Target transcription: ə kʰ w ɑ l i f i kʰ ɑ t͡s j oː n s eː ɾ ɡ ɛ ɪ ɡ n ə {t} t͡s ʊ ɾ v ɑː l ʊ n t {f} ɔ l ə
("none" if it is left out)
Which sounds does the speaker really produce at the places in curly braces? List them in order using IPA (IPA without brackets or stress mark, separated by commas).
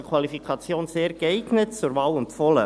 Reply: t, f